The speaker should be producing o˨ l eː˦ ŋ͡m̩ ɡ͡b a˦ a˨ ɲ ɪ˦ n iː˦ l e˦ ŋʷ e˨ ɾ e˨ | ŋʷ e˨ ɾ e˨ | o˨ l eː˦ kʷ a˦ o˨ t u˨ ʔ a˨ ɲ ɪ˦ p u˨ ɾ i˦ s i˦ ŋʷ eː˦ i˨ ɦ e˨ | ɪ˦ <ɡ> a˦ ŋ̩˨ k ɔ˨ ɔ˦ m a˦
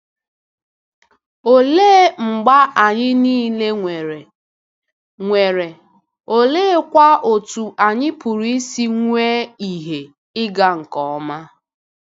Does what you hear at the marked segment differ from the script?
no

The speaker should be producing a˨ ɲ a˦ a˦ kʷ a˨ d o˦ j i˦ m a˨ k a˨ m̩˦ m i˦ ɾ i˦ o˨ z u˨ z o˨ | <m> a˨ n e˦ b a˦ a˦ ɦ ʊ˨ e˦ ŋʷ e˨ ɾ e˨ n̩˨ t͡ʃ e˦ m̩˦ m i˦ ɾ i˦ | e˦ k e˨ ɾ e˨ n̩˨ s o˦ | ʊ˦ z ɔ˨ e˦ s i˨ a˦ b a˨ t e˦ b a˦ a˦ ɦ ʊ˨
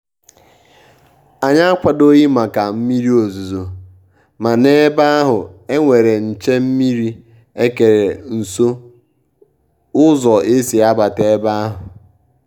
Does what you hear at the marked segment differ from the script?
no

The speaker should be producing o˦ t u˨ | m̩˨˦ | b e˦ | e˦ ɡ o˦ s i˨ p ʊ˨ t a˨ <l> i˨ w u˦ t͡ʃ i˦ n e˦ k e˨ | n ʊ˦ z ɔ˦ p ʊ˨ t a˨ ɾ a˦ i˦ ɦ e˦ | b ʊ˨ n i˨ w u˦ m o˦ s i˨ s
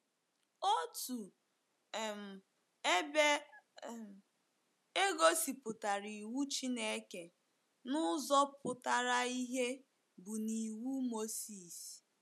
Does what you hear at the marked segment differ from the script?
yes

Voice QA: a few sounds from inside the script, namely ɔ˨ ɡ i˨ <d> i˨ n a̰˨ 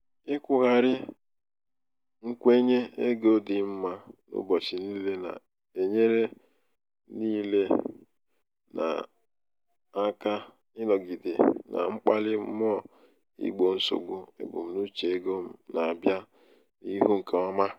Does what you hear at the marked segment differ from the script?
no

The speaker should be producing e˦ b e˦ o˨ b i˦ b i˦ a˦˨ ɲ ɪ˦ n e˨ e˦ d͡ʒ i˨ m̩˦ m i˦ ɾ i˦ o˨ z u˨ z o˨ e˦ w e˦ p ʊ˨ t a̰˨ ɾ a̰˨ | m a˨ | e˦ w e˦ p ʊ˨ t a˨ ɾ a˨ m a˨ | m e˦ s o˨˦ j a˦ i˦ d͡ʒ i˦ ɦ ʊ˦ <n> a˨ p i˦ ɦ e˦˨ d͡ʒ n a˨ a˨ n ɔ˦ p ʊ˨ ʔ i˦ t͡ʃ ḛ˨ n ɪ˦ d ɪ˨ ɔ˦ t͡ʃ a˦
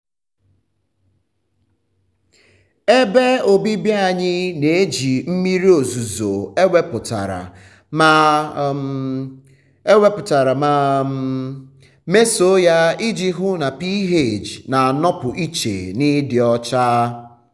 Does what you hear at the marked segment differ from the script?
no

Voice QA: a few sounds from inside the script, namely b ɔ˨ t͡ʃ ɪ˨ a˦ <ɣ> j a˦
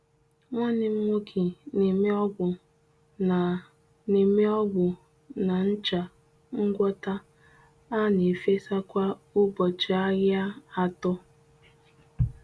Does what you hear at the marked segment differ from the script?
no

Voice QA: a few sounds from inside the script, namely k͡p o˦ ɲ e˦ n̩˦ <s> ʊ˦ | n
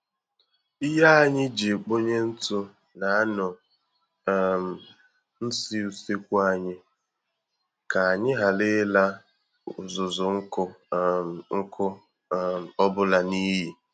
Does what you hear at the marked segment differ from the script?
yes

